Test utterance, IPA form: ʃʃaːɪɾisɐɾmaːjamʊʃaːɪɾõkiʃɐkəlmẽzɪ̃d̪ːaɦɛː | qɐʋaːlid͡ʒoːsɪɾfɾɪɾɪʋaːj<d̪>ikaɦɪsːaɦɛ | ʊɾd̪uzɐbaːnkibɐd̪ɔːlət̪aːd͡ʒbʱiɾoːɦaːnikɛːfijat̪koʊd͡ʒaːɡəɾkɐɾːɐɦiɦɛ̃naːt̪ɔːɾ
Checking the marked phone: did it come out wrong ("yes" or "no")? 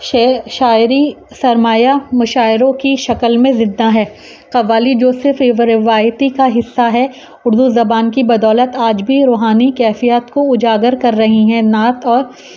yes